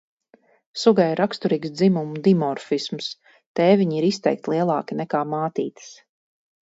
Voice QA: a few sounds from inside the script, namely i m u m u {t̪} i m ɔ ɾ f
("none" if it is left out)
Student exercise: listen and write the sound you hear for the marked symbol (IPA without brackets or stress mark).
d̪